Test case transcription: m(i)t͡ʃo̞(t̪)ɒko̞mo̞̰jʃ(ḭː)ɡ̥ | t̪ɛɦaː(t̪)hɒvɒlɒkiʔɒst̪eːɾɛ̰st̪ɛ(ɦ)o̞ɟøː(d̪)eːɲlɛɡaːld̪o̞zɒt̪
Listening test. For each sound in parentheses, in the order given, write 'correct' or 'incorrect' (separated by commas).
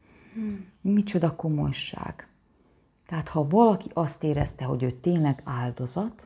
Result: correct, incorrect, incorrect, correct, correct, incorrect